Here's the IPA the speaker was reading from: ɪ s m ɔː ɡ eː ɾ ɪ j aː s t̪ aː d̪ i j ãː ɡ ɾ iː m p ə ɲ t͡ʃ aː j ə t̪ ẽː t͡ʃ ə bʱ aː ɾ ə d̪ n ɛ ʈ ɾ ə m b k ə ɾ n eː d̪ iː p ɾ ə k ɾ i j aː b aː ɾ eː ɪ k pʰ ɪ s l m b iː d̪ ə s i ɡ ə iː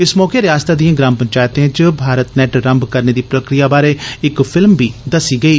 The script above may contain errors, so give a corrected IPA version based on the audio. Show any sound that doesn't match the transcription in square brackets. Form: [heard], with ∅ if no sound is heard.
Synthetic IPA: ɪ s m ɔː [k] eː ɾ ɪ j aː s t̪ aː d̪ i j ãː ɡ ɾ [aː] m p ə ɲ t͡ʃ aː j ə t̪ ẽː t͡ʃ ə bʱ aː ɾ ə [t̪] n ɛ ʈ ɾ ə m b k ə ɾ n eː d̪ iː p ɾ ə k ɾ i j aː b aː ɾ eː ɪ k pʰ ɪ [∅] l m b iː d̪ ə s [iː] ɡ ə iː

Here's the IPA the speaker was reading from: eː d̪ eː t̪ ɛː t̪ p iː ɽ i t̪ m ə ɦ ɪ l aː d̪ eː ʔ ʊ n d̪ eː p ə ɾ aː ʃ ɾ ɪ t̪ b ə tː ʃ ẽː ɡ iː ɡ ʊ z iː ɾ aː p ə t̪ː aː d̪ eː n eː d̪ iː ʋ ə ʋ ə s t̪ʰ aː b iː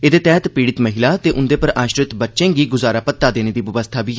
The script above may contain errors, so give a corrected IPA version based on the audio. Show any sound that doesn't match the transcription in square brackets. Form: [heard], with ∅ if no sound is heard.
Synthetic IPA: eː d̪ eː t̪ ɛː t̪ p iː ɽ [ɪ] t̪ m ə ɦ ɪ l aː [t̪] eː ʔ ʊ n d̪ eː p ə ɾ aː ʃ ɾ ɪ t̪ b ə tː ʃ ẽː ɡ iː ɡ ʊ z [aː] ɾ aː p ə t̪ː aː d̪ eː n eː d̪ iː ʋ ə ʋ ə s t̪ʰ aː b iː

